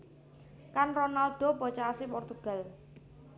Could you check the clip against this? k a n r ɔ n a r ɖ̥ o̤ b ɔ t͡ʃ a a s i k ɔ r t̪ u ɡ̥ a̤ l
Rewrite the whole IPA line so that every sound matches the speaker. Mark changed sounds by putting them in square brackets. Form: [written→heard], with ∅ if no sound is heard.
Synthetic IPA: k a n r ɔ n a [r→l] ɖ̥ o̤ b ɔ t͡ʃ a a s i [k→p] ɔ r t̪ u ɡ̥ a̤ l